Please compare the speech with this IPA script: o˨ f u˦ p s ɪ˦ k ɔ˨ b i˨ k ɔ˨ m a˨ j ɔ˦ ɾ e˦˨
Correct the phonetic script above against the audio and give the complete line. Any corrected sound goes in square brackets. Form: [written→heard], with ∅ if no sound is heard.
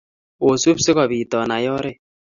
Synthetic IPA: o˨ [f→s] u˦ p s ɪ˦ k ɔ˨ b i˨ [k→t] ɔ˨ [m→n] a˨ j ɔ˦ ɾ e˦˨